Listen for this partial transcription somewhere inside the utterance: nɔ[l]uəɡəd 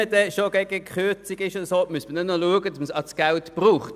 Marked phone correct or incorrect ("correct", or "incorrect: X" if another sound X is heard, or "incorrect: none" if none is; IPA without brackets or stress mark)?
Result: correct